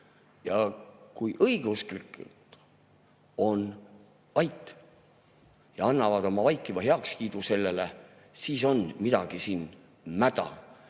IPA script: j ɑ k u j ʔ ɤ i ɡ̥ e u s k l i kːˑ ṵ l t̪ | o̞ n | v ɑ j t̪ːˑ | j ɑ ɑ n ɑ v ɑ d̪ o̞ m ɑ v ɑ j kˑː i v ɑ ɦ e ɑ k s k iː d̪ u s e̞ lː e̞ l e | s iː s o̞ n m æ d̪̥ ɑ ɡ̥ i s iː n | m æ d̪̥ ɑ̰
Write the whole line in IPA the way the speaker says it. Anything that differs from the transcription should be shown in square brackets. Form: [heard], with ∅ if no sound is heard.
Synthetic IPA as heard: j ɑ k u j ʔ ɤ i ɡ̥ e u s k l i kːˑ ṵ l t̪ | o̞ n | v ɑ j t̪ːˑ | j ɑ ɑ [nː] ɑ v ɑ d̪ o̞ m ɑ v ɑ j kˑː i v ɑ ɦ e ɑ k s k iː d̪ u s e̞ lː e̞ l e | s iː s o̞ n m [i] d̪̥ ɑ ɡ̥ i s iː n | m æ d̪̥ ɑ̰